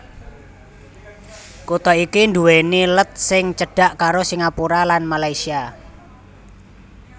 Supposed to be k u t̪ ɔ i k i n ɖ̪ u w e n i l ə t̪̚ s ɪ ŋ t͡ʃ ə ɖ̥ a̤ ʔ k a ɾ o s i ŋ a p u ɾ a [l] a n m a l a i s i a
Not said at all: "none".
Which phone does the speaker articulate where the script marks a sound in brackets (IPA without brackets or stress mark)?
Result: l